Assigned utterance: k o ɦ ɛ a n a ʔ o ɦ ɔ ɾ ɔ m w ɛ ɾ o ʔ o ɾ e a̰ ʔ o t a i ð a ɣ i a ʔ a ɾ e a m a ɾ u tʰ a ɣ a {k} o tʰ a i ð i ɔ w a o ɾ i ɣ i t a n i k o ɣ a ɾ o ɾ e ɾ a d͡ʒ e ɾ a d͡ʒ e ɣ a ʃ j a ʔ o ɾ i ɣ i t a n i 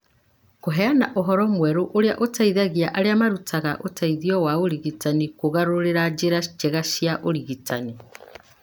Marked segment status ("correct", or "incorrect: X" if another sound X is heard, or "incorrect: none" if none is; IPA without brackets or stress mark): incorrect: ʔ